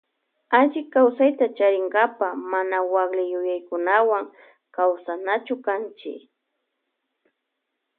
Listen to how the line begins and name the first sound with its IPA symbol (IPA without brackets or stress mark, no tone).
a